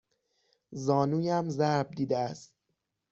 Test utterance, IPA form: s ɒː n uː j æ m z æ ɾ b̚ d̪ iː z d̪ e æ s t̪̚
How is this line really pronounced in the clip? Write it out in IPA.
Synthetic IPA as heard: z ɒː n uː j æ m z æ ɾ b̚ d̪ iː d̪ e æ s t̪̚